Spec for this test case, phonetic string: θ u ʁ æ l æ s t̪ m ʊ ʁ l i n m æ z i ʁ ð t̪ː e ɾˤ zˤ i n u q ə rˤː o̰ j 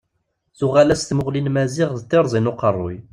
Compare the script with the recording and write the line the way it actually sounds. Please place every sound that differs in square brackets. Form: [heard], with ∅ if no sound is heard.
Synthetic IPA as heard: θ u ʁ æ l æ s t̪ m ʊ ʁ l i n m æ z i ʁ ð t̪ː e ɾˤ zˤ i n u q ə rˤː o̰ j